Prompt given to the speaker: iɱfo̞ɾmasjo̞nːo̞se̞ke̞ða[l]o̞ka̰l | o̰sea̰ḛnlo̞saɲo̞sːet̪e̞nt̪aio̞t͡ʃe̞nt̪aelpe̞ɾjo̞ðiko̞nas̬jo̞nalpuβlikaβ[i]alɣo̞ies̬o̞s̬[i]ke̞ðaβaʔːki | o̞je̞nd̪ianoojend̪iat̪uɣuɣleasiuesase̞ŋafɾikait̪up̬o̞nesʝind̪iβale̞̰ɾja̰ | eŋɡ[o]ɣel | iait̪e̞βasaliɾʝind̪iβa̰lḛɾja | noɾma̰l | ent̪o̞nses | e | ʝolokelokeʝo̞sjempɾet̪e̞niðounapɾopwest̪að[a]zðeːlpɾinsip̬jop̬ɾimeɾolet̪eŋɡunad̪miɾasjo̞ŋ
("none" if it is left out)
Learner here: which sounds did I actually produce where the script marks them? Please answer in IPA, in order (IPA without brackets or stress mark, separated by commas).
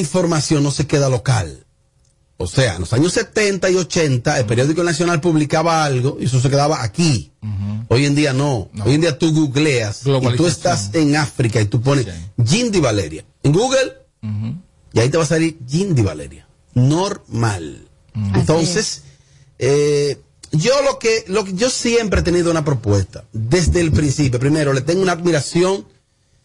l, a, e, u, e